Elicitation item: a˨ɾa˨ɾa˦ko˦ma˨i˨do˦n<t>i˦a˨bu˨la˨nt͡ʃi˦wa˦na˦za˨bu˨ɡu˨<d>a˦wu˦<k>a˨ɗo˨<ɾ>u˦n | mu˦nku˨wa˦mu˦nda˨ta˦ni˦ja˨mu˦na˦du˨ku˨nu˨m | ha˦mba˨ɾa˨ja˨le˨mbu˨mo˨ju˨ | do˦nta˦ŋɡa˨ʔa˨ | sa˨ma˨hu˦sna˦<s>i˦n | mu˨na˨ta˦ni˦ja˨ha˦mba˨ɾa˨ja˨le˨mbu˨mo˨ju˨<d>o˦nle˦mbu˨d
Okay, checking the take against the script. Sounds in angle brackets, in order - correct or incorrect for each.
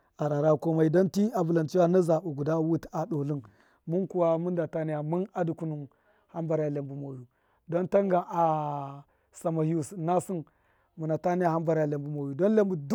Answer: correct, correct, incorrect: t, incorrect: l, correct, correct

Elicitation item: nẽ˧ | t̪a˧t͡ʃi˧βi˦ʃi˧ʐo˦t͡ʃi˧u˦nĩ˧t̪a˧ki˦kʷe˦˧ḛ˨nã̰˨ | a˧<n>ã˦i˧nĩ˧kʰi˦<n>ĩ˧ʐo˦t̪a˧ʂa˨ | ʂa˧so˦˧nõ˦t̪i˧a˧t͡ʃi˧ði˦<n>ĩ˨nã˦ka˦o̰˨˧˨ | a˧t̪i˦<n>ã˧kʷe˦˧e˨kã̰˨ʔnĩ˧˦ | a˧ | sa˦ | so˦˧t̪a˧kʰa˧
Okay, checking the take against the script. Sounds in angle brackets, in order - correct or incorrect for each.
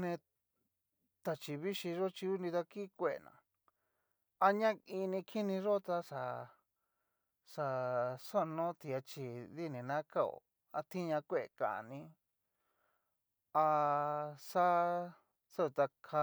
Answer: incorrect: ɲ, correct, correct, incorrect: ɲ

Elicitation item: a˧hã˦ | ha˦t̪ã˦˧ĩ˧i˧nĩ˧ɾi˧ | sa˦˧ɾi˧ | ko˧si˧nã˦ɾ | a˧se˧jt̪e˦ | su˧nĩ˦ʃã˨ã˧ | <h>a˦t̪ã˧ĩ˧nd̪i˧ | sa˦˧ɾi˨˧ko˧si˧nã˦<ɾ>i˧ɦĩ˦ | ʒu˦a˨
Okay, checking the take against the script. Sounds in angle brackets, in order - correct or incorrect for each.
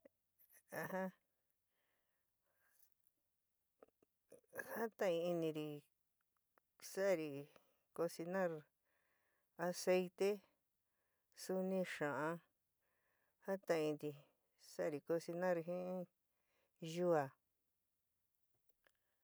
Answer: correct, correct

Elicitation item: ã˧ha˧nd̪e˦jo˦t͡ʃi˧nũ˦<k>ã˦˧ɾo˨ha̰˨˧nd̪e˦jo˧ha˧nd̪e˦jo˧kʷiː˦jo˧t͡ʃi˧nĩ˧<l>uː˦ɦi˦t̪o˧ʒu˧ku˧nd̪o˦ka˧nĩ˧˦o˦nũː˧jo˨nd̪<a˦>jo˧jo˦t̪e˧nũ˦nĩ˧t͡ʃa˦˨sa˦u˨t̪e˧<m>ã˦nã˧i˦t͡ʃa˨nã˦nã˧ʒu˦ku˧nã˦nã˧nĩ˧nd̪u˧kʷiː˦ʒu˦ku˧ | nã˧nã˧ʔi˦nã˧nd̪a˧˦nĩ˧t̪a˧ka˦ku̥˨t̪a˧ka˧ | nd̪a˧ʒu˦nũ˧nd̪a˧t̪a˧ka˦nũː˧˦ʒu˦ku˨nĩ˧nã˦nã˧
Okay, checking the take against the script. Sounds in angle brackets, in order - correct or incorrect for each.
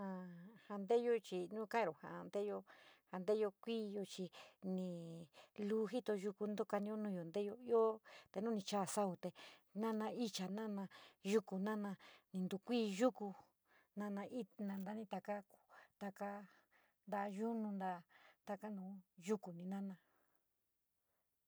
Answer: correct, correct, incorrect: e˦, incorrect: n

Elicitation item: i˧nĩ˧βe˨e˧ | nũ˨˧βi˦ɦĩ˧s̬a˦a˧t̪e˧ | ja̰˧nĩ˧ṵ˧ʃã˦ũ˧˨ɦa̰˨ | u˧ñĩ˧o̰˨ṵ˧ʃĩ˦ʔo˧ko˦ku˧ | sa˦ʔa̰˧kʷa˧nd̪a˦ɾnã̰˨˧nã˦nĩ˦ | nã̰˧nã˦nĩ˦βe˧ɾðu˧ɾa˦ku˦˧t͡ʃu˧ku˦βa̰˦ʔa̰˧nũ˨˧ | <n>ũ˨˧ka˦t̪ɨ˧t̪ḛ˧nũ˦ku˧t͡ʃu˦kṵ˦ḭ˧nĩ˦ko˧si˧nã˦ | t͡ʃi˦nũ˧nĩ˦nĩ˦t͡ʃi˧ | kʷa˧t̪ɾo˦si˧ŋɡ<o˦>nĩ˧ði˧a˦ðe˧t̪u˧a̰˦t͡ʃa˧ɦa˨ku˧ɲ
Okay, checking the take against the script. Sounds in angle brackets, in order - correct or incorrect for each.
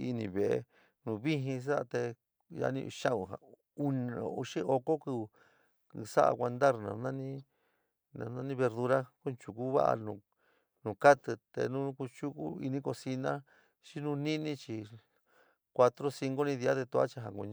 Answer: correct, correct

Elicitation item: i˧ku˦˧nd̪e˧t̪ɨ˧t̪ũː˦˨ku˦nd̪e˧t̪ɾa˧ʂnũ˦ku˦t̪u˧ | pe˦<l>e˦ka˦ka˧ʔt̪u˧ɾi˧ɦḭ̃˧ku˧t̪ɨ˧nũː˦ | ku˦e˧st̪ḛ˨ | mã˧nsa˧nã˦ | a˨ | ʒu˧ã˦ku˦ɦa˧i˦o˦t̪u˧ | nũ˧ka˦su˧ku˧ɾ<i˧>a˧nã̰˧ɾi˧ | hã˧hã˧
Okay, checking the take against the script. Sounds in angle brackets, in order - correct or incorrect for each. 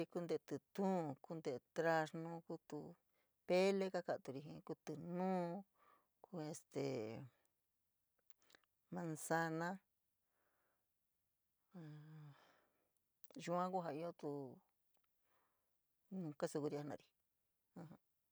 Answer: correct, correct

